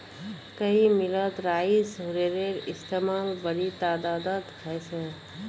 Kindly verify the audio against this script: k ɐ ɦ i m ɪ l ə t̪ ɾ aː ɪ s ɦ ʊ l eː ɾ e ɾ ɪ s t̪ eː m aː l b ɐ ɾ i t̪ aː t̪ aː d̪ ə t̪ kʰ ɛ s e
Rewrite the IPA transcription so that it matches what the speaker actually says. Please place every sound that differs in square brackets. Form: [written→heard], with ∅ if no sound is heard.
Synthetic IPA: k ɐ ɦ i m ɪ l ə t̪ ɾ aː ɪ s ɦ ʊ [l→ɾ] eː ɾ e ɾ ɪ s t̪ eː m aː l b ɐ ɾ i t̪ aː [t̪→d̪] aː d̪ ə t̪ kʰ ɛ s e